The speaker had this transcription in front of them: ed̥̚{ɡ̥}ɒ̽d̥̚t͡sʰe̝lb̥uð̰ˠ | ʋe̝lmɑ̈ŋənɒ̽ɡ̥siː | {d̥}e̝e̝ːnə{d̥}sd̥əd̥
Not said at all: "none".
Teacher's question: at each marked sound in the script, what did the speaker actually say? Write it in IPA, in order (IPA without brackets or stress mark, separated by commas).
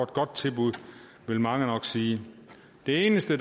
ɡ̥, d̥, none